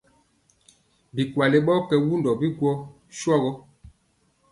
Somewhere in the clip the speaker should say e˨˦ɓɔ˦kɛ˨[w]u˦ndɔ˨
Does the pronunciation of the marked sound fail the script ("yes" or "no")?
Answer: no